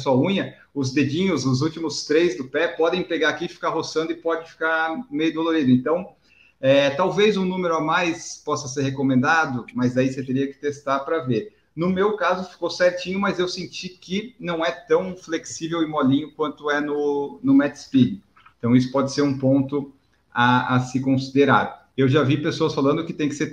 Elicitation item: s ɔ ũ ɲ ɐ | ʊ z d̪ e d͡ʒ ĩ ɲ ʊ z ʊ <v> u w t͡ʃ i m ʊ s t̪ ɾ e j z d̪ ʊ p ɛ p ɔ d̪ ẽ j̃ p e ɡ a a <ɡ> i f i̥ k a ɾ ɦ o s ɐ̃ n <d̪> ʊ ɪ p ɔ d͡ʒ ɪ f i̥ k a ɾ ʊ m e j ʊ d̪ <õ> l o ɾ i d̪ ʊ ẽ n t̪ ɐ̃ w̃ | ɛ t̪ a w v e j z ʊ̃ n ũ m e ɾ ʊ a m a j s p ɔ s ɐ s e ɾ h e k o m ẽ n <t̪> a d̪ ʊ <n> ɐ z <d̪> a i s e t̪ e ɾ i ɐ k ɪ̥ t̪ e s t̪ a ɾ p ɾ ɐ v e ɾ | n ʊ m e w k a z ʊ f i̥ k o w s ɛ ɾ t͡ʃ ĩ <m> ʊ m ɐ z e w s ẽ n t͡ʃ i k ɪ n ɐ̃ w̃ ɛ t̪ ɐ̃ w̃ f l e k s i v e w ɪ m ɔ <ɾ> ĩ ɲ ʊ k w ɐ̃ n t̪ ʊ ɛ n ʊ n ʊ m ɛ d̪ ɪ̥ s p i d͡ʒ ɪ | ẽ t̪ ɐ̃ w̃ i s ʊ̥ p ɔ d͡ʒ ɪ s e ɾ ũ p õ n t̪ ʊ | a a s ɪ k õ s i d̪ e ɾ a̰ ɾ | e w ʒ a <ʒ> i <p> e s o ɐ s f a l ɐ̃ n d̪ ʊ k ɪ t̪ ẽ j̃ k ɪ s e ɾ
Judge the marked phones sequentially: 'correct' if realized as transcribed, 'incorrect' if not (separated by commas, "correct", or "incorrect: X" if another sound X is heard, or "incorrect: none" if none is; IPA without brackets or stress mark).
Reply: incorrect: z, incorrect: k, correct, incorrect: o, incorrect: d̪, incorrect: m, correct, incorrect: ɲ, incorrect: l, incorrect: v, correct